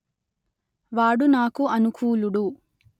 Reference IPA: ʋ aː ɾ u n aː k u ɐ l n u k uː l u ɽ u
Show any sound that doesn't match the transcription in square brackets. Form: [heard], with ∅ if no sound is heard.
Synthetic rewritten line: ʋ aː [ɽ] u n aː k u ɐ [∅] n u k uː l u ɽ u